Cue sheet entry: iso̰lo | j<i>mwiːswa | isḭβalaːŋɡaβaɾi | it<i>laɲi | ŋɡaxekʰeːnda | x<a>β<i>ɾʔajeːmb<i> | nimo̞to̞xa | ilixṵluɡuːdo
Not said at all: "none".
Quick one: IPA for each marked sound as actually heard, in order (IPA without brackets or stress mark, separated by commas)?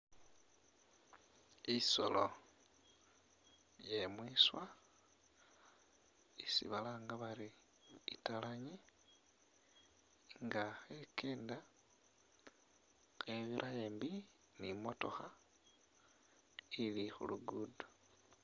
e, a, e, i, i